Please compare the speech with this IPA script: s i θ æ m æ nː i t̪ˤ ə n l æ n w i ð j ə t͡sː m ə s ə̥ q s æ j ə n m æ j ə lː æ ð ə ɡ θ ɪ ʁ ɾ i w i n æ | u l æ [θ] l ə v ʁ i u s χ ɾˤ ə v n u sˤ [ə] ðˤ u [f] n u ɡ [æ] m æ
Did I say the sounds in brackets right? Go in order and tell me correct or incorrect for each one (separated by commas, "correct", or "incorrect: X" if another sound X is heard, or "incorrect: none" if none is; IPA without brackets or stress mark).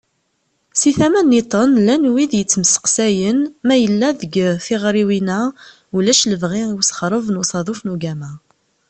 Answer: incorrect: ʃ, incorrect: ɑ, correct, correct